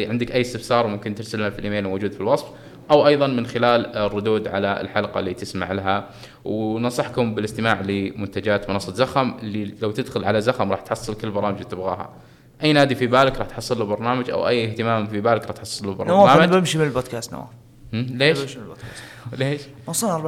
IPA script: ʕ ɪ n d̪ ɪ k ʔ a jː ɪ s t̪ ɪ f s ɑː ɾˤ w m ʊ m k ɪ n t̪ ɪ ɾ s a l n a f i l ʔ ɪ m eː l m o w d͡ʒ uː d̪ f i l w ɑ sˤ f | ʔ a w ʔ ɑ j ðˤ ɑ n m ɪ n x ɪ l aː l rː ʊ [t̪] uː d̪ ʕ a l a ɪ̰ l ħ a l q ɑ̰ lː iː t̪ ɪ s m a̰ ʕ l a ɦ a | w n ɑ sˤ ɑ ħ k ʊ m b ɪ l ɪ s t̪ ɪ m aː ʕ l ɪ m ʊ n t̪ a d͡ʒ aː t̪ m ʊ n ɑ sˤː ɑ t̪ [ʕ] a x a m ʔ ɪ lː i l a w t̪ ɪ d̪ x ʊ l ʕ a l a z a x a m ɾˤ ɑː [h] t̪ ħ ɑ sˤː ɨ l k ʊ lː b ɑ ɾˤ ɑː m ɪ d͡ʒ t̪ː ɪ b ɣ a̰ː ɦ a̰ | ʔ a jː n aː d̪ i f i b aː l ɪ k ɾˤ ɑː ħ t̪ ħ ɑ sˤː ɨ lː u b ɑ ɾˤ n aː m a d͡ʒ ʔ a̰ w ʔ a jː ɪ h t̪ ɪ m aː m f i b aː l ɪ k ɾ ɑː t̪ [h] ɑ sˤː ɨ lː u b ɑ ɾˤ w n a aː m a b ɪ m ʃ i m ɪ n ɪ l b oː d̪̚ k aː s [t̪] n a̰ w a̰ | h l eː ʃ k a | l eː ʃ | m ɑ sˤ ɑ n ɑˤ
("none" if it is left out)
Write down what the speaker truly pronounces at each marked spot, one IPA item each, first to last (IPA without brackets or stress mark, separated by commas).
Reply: d̪, z, ħ, ħ, t̪